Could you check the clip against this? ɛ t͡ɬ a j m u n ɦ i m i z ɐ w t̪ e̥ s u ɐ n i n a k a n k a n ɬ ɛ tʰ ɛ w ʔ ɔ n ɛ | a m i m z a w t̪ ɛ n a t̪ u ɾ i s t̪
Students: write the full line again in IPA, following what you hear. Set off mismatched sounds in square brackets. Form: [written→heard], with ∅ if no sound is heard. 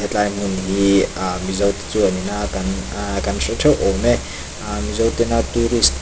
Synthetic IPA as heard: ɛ t͡ɬ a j m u n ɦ i m i z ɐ w t̪ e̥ [s→t͡s] u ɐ n i n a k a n k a n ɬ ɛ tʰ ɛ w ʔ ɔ [n→m] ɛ | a m i [m→∅] z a w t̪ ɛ n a t̪ u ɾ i s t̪